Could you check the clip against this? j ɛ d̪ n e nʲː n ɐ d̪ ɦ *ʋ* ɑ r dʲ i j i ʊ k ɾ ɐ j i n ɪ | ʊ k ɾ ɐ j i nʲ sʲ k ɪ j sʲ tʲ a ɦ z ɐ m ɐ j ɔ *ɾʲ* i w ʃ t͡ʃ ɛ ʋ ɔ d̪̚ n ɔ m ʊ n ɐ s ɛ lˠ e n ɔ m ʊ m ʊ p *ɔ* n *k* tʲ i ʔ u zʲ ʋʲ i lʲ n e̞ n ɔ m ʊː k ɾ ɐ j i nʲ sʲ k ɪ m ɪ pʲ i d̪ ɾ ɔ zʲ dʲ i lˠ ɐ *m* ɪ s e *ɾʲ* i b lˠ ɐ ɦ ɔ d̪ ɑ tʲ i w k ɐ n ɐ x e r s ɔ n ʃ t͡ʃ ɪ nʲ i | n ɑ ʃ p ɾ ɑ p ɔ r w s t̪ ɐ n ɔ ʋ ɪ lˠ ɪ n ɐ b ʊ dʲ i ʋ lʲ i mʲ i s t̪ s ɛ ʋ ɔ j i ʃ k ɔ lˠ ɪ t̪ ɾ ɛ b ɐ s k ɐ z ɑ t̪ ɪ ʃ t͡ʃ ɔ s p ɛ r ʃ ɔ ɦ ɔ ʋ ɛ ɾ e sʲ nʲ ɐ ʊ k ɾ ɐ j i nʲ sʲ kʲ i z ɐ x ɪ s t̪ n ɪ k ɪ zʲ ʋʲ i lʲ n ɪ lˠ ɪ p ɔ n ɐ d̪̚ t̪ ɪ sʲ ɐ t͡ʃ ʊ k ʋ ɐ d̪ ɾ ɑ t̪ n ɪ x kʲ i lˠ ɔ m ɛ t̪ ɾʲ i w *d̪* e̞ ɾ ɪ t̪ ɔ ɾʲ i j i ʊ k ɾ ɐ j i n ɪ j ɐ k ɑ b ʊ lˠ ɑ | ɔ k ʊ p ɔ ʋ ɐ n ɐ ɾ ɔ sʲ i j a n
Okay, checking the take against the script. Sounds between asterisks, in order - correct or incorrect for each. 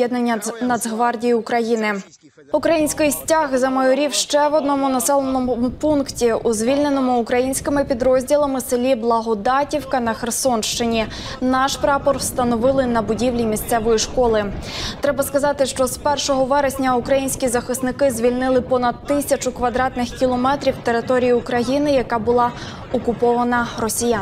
correct, correct, incorrect, correct, correct, incorrect, incorrect

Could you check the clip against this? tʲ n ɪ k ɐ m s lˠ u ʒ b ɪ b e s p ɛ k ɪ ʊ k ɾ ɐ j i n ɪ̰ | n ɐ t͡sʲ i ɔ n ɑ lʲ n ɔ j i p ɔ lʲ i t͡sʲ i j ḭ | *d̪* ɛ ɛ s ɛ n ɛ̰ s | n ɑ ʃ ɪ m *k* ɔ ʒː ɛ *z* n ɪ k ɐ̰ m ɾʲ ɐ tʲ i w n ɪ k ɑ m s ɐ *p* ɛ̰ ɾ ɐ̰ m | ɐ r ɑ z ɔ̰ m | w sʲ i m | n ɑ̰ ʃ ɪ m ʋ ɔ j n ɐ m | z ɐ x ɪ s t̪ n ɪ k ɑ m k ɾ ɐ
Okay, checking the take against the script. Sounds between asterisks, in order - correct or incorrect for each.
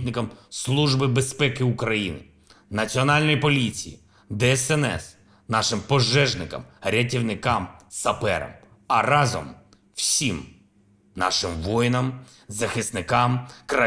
correct, incorrect, incorrect, correct

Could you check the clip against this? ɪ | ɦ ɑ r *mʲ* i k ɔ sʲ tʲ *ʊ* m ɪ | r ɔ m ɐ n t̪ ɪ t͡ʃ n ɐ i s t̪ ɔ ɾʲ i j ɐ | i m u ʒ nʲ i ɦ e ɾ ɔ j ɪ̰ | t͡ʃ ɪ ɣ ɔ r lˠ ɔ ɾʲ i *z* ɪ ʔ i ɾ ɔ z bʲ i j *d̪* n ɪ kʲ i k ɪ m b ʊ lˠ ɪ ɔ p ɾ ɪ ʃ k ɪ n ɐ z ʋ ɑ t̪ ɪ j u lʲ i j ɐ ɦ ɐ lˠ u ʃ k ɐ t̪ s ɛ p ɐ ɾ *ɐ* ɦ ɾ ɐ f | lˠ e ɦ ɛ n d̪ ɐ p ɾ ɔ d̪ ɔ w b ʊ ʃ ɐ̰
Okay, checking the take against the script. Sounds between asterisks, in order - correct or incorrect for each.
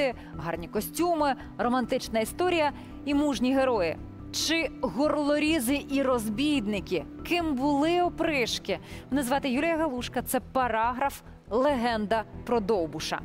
incorrect, incorrect, correct, correct, incorrect

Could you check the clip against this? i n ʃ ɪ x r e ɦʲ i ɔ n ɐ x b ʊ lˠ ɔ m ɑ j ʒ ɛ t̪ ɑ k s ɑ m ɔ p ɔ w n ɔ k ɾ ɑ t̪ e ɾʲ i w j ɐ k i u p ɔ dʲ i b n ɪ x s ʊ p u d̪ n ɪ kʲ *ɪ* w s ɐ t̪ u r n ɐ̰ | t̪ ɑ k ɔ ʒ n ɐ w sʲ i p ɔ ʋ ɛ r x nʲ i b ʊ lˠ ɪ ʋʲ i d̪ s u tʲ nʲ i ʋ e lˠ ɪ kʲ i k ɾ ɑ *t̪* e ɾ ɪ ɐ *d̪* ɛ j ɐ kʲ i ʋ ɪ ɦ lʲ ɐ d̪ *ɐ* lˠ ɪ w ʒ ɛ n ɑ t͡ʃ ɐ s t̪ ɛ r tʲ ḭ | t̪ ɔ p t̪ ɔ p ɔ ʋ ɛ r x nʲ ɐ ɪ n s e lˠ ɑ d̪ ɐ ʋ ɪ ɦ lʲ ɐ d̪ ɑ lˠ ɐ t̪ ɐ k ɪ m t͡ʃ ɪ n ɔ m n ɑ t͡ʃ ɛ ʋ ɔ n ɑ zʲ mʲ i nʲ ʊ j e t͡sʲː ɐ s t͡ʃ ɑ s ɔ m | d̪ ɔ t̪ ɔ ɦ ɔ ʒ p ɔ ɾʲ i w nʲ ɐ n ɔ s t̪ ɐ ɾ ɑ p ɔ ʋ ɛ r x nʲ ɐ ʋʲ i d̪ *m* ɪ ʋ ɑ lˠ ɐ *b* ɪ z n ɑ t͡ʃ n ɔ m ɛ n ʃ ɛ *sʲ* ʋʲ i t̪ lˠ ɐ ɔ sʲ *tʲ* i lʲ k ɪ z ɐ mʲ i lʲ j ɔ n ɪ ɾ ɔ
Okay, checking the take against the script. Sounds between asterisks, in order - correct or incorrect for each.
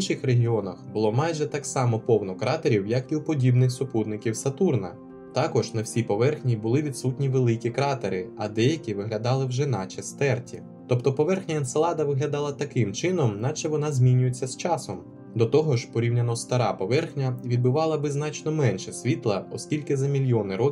incorrect, correct, correct, incorrect, incorrect, correct, correct, incorrect

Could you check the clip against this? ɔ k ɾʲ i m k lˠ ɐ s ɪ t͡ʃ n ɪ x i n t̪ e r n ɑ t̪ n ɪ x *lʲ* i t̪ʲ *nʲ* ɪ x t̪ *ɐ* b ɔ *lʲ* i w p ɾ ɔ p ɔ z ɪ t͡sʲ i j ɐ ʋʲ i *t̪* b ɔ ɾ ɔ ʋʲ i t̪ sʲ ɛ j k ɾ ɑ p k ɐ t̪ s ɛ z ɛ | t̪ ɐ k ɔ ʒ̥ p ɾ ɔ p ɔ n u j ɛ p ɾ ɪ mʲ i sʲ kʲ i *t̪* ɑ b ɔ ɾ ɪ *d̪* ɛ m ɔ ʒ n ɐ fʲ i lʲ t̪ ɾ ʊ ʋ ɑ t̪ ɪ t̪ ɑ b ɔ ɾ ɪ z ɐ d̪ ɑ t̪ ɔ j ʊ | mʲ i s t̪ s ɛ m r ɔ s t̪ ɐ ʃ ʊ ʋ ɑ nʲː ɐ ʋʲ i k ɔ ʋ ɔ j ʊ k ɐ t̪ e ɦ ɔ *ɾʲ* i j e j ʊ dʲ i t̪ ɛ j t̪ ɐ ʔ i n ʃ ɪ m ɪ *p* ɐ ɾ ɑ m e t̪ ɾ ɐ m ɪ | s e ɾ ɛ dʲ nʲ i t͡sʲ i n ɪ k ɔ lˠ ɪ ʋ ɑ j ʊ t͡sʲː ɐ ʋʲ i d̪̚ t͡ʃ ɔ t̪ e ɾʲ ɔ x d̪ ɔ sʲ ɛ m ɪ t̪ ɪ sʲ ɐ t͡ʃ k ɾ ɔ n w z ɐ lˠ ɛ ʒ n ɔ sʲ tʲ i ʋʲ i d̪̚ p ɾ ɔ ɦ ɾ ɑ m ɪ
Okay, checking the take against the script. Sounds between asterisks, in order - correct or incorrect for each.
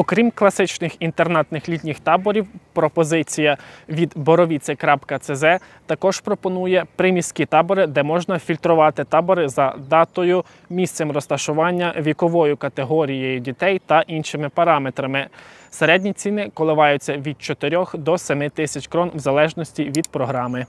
correct, correct, incorrect, incorrect, incorrect, correct, correct, correct, correct

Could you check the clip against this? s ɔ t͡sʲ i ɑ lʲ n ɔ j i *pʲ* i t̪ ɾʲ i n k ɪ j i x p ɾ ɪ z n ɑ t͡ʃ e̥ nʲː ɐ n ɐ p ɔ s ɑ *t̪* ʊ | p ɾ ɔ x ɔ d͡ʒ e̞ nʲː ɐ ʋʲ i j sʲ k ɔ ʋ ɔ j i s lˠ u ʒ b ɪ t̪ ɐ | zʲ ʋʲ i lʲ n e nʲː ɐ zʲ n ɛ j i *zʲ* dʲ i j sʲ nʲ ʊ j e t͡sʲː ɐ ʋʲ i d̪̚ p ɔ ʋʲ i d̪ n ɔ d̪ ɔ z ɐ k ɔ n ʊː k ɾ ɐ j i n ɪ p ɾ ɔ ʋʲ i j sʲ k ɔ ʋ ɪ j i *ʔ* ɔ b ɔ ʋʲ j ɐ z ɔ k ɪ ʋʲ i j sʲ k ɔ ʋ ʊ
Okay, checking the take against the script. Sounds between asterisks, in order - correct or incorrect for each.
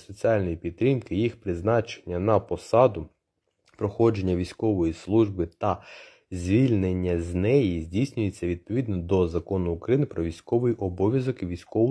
correct, incorrect, correct, correct

